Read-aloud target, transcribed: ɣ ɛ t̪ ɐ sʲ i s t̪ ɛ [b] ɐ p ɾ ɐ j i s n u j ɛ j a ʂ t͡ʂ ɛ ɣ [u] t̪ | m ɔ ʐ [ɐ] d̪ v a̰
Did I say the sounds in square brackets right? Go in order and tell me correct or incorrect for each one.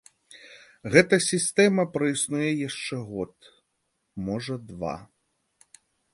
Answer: incorrect: m, incorrect: ɔ, correct

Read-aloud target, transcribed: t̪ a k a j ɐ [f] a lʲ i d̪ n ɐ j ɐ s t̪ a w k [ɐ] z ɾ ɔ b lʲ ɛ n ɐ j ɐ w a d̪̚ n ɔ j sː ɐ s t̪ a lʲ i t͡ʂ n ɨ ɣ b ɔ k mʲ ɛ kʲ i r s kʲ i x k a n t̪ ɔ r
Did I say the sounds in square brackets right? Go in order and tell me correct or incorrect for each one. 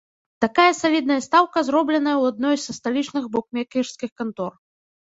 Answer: incorrect: s, correct

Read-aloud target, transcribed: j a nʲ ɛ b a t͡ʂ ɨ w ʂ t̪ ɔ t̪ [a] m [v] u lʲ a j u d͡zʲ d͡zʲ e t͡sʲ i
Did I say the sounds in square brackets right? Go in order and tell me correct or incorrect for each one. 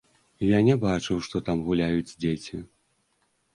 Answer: correct, incorrect: ɣ

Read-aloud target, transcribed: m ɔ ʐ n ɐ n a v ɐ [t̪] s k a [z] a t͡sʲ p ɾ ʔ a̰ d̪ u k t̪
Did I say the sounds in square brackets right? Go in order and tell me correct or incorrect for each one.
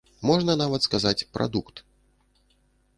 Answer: correct, correct

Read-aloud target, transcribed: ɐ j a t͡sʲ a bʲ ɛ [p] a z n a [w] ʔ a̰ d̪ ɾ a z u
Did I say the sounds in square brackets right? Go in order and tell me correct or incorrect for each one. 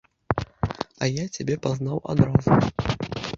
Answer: correct, correct

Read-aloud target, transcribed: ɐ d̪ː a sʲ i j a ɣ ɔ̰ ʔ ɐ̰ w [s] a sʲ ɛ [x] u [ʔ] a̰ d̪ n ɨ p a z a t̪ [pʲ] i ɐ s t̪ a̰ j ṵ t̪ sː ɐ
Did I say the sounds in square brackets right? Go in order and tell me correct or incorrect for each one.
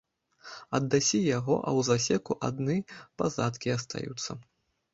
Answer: incorrect: z, incorrect: k, correct, incorrect: kʲ

